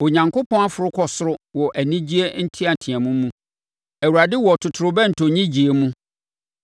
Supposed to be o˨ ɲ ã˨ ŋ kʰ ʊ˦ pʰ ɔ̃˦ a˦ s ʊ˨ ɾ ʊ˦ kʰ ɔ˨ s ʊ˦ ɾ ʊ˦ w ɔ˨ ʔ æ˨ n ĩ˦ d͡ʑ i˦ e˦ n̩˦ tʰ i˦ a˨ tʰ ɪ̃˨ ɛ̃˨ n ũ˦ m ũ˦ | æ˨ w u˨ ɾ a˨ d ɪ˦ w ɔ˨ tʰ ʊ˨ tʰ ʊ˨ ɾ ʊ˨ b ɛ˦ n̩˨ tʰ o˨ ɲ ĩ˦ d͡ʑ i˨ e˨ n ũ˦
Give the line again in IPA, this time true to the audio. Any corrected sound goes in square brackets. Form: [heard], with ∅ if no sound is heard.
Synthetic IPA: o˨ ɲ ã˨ ŋ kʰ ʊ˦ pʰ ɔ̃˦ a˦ [f] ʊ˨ ɾ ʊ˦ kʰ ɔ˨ s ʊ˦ ɾ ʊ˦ w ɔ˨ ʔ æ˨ n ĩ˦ d͡ʑ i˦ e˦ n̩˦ tʰ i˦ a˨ tʰ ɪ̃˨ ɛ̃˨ [m] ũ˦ m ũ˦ | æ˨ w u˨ ɾ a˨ d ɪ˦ w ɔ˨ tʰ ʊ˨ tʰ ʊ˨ ɾ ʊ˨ b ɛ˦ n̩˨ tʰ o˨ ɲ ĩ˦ d͡ʑ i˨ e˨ [m] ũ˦